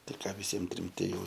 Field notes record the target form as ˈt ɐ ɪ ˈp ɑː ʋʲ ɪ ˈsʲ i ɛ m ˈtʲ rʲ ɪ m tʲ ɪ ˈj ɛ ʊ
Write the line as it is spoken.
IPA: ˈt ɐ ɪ ˈk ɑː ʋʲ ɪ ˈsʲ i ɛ m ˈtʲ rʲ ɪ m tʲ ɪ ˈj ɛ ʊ